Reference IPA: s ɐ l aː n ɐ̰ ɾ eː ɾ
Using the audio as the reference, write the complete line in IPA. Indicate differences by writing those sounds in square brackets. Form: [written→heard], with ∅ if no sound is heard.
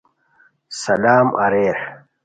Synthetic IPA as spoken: s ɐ l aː [n→m] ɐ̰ ɾ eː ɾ